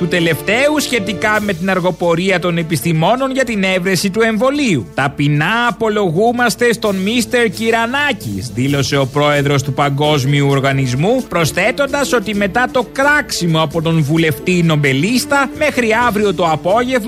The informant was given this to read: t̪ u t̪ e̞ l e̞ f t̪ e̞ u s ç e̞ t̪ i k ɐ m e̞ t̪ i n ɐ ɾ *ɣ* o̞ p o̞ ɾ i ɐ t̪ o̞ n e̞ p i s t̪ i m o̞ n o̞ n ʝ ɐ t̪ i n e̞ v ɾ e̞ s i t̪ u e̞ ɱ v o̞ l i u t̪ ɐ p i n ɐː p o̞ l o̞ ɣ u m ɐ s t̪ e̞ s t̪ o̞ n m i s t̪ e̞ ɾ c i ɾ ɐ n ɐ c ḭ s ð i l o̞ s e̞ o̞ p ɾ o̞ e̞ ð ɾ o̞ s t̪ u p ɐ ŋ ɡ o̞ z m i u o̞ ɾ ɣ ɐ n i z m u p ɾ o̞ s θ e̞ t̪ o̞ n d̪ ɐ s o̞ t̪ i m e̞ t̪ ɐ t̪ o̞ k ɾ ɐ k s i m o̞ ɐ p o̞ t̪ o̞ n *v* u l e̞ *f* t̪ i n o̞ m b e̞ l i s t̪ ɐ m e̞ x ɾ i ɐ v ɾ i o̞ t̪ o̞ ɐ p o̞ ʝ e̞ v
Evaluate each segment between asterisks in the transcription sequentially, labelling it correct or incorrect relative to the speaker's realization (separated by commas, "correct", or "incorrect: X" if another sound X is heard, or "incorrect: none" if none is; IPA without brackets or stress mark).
correct, correct, correct